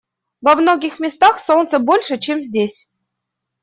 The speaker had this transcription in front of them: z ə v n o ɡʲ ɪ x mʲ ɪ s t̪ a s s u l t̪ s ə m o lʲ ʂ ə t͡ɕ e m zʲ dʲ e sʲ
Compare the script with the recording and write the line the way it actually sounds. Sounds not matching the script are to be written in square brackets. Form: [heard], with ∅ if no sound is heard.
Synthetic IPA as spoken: [v] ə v n o ɡʲ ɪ x mʲ ɪ s t̪ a [x] s [o] l t̪ s ə [b] o lʲ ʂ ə t͡ɕ e m zʲ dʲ e sʲ